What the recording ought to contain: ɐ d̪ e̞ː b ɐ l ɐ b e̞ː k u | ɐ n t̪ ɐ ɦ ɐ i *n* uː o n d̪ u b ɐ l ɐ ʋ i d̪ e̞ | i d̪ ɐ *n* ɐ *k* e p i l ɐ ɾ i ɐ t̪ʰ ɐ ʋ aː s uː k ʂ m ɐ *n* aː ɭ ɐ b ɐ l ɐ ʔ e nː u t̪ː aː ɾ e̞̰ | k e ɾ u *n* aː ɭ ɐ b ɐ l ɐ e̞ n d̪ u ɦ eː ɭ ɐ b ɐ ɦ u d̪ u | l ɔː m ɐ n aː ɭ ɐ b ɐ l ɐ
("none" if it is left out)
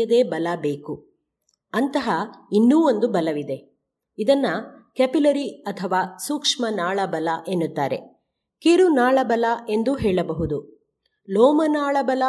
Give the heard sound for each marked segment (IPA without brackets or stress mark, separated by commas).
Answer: nː, nː, k, n, n